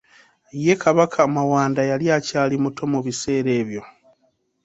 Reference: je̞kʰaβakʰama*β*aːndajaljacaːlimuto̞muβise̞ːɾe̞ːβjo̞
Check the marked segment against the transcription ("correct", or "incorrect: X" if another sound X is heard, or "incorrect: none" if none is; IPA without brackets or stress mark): incorrect: w